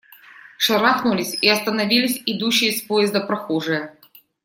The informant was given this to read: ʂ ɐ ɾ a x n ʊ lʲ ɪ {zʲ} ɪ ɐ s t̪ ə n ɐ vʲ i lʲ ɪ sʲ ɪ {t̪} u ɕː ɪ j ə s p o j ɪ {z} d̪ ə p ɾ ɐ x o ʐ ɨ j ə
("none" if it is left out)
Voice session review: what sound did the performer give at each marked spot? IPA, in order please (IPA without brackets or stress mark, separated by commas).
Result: sʲ, d̪, z